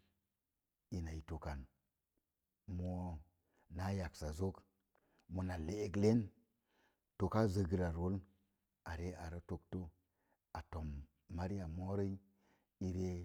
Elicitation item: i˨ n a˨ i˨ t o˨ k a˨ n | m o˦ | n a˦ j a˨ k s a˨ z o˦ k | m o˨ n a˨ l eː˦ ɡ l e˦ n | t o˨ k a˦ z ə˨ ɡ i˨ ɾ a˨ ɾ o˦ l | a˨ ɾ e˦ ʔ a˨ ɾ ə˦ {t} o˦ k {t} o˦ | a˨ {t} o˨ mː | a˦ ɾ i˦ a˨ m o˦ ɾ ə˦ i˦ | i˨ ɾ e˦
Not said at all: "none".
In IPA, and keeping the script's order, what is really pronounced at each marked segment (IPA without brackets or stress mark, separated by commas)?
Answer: t, t, t